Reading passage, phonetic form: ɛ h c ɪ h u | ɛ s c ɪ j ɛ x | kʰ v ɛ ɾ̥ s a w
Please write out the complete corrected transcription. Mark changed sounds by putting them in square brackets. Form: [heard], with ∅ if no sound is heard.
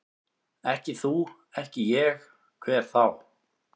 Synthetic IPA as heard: ɛ h c ɪ [θ] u | ɛ [h] c ɪ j ɛ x | kʰ v ɛ ɾ̥ [θ] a w